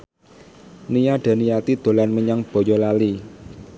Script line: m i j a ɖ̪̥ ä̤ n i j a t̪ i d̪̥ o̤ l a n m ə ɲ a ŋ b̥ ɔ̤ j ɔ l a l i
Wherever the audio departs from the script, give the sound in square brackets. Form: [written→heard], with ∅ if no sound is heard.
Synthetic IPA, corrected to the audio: [m→n] i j a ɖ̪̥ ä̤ n i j a t̪ i d̪̥ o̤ l a n m ə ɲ a ŋ b̥ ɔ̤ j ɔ l a l i